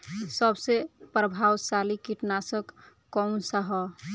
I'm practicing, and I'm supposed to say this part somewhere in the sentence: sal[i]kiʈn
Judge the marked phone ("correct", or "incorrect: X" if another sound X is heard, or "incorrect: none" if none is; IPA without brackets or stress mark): correct